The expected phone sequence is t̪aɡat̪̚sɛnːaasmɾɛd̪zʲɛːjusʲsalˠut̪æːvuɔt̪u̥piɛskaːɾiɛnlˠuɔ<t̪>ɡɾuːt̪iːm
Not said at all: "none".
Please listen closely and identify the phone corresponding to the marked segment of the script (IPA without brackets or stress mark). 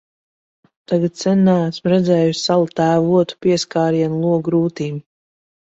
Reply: none